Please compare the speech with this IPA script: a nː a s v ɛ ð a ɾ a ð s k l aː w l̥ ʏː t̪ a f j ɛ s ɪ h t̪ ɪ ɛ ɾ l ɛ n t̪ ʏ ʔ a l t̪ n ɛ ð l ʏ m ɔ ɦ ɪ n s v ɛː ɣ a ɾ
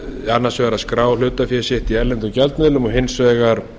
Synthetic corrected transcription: a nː a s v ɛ ɣ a ɾ a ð s k ɾ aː w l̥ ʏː t̪ a f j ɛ s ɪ h t̪ i ɛ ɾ l ɛ n t̪ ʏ c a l t̪ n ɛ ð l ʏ m ɔ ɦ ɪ n s v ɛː ɣ a ɾ